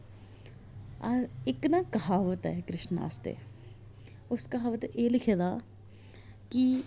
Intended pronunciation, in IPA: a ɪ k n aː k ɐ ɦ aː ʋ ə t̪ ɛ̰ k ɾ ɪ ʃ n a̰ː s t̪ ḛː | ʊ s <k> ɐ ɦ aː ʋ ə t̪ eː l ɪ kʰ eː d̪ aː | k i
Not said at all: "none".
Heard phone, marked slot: k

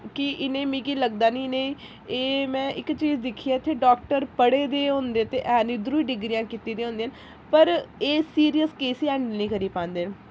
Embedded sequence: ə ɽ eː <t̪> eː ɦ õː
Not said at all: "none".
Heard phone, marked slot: d̪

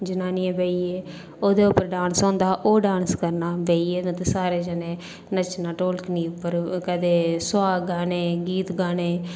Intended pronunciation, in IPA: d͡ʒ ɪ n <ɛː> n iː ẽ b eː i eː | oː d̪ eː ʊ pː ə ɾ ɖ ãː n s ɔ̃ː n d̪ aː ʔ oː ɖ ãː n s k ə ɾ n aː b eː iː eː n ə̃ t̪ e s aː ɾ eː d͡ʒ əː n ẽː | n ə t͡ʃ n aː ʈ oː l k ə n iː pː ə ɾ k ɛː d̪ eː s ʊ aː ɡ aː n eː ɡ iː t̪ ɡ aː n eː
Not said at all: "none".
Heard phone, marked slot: aː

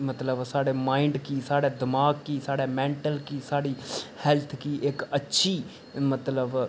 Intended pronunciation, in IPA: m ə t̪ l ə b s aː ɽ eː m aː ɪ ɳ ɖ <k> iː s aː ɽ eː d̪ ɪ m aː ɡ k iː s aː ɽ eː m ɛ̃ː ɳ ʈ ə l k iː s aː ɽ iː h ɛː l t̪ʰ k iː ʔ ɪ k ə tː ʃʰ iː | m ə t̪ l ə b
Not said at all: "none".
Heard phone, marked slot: k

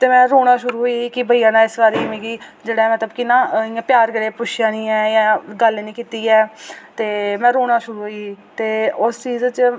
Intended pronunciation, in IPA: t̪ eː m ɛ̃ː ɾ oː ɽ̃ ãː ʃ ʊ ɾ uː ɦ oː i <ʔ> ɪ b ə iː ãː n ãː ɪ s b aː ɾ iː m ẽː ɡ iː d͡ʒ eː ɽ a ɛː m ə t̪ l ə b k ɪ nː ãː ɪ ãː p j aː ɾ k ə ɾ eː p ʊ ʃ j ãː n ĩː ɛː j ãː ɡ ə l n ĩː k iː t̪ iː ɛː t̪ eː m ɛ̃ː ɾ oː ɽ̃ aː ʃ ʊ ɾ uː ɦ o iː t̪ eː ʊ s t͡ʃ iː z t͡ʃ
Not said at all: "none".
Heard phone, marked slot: k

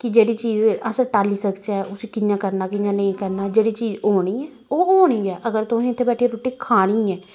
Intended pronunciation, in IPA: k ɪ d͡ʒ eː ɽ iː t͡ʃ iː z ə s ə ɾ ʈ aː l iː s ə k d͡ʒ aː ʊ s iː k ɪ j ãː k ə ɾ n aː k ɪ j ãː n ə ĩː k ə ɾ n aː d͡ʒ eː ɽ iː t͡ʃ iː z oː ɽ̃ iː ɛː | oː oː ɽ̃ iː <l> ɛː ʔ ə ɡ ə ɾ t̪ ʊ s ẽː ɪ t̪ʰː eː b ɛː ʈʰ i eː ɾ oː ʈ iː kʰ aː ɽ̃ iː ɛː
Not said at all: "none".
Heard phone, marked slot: none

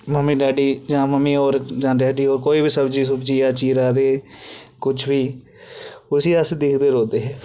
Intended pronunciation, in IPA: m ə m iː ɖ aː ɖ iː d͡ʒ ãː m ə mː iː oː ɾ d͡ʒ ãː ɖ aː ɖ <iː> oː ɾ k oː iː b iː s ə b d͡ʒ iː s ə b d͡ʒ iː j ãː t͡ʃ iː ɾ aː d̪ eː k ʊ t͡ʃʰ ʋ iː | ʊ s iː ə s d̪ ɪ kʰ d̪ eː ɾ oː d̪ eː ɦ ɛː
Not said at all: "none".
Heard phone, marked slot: iː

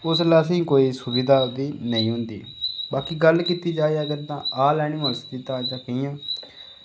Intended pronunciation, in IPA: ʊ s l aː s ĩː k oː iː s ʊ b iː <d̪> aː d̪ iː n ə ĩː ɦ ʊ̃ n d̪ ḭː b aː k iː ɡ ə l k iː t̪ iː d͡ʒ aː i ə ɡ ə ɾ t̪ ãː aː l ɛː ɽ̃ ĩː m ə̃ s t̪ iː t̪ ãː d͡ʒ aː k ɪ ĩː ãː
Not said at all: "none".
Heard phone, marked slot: d̪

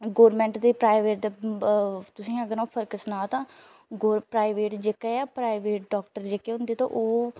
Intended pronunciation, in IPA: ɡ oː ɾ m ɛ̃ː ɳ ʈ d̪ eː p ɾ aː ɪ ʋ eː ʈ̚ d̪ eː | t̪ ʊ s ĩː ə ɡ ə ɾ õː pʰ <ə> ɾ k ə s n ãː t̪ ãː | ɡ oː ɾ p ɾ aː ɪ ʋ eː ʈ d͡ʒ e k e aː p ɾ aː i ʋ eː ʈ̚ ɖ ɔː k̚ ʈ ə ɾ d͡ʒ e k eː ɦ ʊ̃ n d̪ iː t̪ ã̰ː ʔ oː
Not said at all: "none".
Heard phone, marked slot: ə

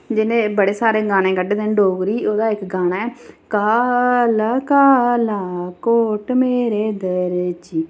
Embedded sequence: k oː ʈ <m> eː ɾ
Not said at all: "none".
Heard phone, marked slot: m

